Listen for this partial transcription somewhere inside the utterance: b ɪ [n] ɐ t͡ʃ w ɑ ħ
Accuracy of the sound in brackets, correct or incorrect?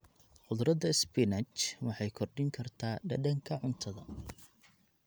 correct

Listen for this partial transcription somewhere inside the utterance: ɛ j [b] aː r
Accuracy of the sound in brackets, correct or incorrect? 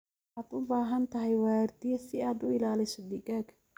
incorrect: w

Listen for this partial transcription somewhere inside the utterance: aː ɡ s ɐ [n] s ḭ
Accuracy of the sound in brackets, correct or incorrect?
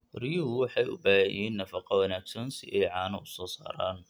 correct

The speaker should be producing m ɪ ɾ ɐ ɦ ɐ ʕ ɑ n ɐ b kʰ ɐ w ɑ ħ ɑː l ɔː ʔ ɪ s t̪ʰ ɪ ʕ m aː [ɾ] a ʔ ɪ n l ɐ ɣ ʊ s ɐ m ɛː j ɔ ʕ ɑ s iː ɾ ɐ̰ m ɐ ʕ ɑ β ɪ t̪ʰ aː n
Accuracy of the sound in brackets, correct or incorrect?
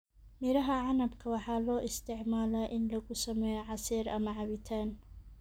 incorrect: l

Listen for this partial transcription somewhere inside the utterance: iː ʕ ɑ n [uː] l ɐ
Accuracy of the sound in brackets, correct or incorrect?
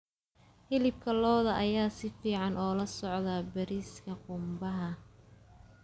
incorrect: ɔː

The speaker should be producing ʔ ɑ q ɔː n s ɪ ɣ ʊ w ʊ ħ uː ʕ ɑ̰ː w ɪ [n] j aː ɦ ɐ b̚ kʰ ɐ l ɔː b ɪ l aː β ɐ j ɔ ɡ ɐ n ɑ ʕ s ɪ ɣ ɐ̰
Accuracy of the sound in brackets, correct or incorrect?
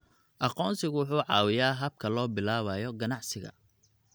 incorrect: none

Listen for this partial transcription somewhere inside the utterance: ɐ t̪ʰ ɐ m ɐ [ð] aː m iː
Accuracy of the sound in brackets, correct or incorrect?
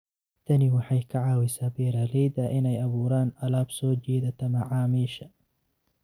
incorrect: ʕ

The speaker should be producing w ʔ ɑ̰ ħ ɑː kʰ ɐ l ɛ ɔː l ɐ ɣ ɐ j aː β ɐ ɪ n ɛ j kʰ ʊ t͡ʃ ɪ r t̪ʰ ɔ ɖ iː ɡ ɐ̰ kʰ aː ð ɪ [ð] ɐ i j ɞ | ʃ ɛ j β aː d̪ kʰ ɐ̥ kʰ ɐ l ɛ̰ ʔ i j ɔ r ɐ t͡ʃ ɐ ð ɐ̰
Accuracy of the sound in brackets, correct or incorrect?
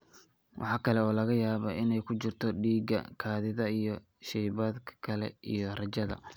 correct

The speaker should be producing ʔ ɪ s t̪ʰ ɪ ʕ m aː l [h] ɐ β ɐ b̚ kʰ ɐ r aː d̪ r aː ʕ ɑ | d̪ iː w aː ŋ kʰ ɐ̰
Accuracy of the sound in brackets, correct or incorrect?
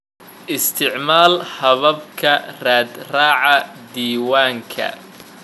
correct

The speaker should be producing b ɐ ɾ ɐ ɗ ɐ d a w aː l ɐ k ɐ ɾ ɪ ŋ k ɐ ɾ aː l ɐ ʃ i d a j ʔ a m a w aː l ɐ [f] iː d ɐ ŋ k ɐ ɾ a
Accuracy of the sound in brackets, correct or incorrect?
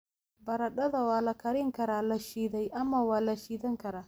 incorrect: ʃ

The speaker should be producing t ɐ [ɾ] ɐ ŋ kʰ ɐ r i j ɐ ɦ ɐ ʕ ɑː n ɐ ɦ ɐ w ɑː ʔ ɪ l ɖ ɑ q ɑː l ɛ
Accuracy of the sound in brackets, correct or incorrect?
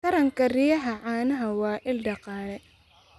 correct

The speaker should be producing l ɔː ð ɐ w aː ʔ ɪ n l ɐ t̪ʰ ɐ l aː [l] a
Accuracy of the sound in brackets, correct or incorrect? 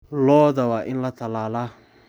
correct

